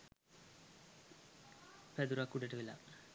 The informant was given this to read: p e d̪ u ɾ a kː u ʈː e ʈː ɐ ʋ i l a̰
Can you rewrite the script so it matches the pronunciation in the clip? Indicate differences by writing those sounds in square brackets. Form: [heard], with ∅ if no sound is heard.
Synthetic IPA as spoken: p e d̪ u ɾ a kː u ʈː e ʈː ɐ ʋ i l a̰